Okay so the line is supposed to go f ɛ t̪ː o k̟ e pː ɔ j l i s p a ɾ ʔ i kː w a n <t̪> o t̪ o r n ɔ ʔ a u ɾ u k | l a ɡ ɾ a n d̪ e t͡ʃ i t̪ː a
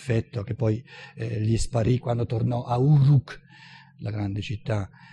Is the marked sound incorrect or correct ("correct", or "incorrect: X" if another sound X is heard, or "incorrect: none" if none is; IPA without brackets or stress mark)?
incorrect: d̪